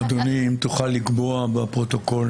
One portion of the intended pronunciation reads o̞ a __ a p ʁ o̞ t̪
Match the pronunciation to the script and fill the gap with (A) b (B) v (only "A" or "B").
A